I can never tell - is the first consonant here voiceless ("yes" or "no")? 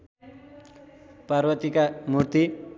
yes